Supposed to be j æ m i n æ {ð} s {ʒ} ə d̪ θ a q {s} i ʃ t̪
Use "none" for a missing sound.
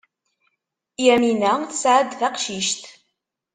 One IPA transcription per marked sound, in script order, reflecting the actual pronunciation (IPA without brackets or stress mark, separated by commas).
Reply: θ, ʕ, ʃ